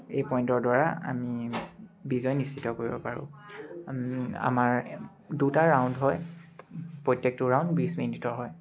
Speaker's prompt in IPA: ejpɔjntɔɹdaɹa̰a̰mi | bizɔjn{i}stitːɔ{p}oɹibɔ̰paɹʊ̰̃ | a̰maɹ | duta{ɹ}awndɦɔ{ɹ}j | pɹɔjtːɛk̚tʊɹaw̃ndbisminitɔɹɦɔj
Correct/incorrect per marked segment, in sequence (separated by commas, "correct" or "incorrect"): correct, incorrect, correct, incorrect